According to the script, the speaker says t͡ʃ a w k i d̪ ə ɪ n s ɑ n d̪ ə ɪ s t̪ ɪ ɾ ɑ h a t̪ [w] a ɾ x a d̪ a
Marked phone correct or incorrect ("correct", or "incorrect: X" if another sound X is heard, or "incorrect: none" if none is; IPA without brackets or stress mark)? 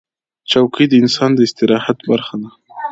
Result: incorrect: b